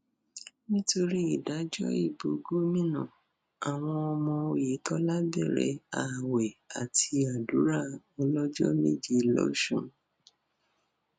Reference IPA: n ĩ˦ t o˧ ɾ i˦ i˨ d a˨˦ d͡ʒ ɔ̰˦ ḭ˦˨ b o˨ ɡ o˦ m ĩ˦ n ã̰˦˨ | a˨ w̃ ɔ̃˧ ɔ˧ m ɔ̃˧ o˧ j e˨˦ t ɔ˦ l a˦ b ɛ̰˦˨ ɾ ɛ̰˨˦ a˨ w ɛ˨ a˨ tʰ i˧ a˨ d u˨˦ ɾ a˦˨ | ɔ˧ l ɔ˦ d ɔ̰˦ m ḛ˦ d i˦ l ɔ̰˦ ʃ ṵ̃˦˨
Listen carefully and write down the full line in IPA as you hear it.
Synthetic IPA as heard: n ĩ˦ t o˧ ɾ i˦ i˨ d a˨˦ d͡ʒ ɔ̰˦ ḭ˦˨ b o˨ ɡ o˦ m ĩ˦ n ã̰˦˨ | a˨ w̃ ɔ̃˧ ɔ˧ m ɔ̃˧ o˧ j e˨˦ t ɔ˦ l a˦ b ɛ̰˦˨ ɾ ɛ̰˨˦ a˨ w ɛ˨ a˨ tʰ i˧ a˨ d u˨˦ ɾ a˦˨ | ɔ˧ l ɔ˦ d͡ʒ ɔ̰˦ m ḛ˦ d͡ʒ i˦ l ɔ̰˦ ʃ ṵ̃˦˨

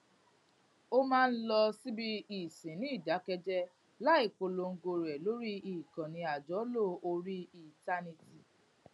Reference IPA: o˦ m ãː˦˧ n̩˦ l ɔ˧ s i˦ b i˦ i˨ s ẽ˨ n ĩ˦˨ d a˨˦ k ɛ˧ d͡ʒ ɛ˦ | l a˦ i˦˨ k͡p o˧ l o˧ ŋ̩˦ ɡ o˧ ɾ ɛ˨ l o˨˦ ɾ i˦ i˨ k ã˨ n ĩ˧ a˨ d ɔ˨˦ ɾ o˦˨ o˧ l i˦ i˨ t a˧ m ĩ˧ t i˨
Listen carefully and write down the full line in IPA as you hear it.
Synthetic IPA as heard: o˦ m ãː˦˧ n̩˦ l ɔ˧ s i˦ b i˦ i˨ s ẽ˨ n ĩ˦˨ d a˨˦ k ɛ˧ d͡ʒ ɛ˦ | l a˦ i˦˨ k͡p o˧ l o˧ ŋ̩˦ ɡ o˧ ɾ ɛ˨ l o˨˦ ɾ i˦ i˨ k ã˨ n ĩ˧ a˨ d͡ʒ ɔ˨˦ l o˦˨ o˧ ɾ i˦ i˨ t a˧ n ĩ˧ t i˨

